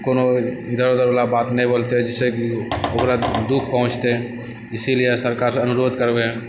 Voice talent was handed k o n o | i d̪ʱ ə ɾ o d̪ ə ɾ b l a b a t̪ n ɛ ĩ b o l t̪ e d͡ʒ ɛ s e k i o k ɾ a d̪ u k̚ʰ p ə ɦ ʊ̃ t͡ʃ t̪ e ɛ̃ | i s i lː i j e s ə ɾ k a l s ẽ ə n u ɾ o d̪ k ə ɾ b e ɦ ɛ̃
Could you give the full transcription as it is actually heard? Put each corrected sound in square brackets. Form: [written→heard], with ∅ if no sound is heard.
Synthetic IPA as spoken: k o n o | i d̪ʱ ə ɾ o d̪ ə ɾ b l a b a t̪ n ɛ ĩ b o l t̪ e d͡ʒ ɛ s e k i o k ɾ a d̪ u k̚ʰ p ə ɦ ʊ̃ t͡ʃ t̪ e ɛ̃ | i s i [lː→l] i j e s ə ɾ k a [l→ɾ] s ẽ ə n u ɾ o d̪ k ə ɾ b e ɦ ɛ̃